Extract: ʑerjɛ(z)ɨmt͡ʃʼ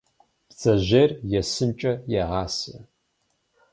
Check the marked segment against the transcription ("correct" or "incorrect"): incorrect